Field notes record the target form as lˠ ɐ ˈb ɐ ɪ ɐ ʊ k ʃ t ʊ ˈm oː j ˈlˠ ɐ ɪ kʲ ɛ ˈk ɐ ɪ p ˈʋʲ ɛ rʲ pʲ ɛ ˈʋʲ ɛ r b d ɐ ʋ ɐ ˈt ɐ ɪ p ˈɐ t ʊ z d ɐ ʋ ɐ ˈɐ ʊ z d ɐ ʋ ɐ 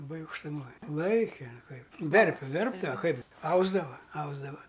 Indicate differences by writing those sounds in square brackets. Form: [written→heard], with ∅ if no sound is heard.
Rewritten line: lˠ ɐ ˈb ɐ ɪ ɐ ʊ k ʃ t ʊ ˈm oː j ˈlˠ ɐ ɪ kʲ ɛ ˈk ɐ ɪ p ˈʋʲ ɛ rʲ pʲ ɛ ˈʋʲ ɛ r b d ɐ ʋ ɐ [ˈt→ˈk] ɐ ɪ p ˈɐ [t→∅] ʊ z d ɐ ʋ ɐ ˈɐ ʊ z d ɐ ʋ ɐ